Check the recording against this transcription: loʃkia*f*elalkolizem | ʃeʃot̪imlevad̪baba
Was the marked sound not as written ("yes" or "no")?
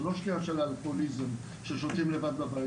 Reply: yes